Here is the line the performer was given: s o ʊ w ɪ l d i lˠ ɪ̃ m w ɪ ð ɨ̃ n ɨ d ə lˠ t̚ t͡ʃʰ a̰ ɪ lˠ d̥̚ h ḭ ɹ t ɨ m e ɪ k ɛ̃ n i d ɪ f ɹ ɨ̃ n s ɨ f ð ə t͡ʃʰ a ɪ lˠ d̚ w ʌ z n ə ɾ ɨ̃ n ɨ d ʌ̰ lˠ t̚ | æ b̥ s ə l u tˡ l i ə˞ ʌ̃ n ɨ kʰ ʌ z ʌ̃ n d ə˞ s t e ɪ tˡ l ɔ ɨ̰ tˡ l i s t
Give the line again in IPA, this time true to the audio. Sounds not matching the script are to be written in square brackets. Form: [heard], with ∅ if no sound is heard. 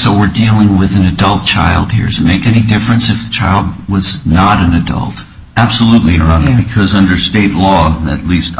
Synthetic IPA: s o ʊ w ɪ [ɹ] d i lˠ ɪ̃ [ŋ] w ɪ ð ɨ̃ n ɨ d [ʌ] lˠ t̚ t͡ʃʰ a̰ ɪ lˠ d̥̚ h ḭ ɹ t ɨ m e ɪ k [ɛ] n i d ɪ f ɹ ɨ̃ n s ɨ f ð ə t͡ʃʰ a ɪ lˠ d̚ w ʌ z n ə ɾ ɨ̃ n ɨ d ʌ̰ lˠ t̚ | æ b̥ s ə l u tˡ l i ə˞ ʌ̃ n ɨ kʰ ʌ z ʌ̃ n d ə˞ s t e ɪ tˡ l ɔ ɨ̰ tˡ l i s t